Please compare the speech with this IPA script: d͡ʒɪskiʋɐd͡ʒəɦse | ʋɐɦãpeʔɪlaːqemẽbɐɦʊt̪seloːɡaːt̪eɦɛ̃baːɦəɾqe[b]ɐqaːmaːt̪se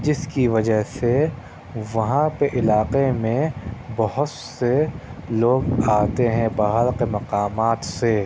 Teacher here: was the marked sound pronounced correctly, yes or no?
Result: no